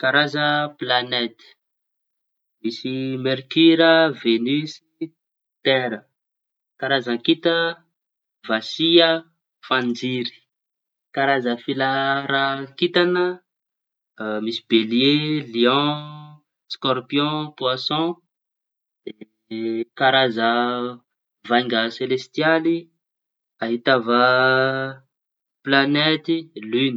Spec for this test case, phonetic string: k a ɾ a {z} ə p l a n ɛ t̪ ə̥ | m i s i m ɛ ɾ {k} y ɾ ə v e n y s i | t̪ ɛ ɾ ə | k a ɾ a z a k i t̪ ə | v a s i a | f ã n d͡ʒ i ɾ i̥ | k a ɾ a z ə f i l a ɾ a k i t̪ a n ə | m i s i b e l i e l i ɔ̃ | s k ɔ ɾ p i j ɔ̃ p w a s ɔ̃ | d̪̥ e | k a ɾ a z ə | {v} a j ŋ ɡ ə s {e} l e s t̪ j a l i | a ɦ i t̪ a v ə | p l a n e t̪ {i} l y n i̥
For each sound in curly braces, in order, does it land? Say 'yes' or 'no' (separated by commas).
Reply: yes, yes, yes, yes, yes